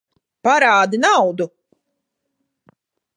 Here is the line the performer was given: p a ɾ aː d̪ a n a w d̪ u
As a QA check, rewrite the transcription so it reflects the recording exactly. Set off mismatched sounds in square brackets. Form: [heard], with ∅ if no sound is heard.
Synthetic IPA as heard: p a ɾ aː d̪ [i] n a w d̪ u

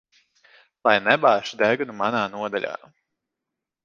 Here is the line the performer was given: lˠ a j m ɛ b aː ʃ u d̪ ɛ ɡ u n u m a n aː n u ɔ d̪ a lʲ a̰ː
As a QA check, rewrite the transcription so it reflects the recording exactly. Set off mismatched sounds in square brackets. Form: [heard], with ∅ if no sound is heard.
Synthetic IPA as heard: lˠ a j [n] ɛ b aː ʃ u d̪ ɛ ɡ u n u m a n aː n u ɔ d̪ a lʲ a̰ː

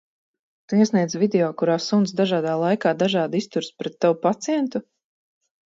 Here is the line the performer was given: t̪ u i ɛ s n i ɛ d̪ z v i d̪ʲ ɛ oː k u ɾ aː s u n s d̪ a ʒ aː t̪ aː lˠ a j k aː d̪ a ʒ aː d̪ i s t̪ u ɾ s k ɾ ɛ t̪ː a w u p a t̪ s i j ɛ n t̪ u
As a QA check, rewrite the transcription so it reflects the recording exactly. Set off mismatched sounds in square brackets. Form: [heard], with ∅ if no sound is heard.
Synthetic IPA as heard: t̪ u i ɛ s n i ɛ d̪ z v i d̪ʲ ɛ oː k u ɾ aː s u n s d̪ a ʒ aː [d̪] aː lˠ a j k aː d̪ a ʒ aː d̪ i s t̪ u ɾ s [p] ɾ ɛ t̪ː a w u p a t̪ s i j ɛ n t̪ u

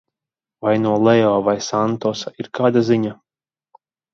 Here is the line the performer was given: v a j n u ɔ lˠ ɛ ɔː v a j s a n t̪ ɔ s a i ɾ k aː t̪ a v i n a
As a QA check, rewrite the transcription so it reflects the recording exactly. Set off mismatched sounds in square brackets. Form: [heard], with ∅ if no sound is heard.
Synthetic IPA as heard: v a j n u ɔ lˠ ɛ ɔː v a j s a n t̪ ɔ s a i ɾ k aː [d̪] a [z] i [ɲ] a

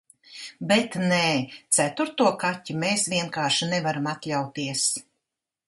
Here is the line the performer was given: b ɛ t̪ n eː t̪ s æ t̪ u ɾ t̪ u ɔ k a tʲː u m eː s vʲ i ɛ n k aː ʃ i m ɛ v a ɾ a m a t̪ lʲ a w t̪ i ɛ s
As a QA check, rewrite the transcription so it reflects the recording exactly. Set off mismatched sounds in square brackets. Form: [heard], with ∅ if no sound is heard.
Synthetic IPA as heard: b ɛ t̪ n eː t̪ s æ t̪ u ɾ t̪ u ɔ k a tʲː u m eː s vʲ i ɛ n k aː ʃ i [n] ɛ v a ɾ a m a t̪ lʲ a w t̪ i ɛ s

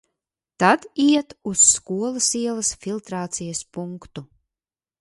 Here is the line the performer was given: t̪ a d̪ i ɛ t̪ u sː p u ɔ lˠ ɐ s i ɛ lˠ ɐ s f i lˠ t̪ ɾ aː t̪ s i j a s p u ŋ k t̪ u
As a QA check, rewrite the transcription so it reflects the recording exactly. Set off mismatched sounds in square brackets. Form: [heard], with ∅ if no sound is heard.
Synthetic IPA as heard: t̪ a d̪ i ɛ t̪ u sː [k] u ɔ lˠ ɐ s i ɛ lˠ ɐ s f i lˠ t̪ ɾ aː t̪ s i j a s p u ŋ k t̪ u

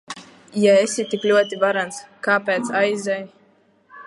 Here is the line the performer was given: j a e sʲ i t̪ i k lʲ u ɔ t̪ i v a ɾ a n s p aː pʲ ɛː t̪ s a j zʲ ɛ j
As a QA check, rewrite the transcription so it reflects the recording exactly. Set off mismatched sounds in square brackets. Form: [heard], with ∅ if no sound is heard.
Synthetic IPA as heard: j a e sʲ i t̪ i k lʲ u ɔ t̪ i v a ɾ a n s [k] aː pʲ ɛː t̪ s a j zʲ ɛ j

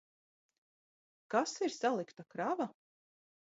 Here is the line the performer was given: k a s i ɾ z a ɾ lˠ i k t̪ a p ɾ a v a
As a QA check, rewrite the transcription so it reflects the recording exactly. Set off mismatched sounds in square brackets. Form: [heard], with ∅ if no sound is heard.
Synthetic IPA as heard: k a s i ɾ [s] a [∅] lˠ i k t̪ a [k] ɾ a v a

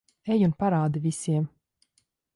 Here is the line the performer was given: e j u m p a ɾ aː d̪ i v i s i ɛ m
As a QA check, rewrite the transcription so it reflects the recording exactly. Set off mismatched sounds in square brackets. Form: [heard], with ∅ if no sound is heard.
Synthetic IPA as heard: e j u [n] p a ɾ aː d̪ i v i s i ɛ m

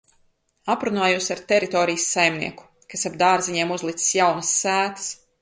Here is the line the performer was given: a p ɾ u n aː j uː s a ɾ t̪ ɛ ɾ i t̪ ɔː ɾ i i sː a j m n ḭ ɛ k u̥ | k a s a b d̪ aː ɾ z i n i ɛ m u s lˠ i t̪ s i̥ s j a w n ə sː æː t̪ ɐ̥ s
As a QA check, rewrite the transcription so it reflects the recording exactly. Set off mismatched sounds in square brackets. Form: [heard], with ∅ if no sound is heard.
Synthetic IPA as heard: a p ɾ u n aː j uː s a ɾ t̪ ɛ ɾ i t̪ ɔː ɾ i [j] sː a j m n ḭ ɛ k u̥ | k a s a b d̪ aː ɾ z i [ɲ] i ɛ m u [z] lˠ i t̪ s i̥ s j a w n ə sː æː t̪ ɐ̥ s

